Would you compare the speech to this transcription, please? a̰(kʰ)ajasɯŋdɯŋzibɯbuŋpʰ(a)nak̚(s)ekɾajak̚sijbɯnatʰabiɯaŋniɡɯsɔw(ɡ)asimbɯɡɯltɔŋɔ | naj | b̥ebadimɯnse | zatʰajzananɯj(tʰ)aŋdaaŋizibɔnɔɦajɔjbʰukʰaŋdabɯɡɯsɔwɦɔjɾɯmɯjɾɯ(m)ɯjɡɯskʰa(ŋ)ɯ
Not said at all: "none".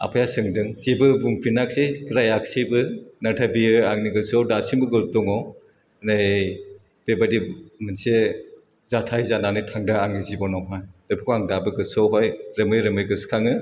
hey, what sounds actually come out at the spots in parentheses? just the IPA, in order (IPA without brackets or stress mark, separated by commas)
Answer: pʰ, i, s, d, tʰ, m, ŋ